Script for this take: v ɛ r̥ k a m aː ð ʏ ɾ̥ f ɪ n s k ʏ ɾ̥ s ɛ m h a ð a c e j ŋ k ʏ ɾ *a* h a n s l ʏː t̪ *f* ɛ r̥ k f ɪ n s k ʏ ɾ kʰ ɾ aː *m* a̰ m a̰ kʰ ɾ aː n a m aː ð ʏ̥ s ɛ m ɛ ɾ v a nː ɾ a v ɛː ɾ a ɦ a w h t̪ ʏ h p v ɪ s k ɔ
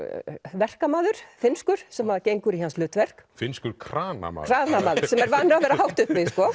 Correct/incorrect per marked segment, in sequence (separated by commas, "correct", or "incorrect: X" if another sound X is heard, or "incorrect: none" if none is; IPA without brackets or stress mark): incorrect: i, incorrect: v, incorrect: n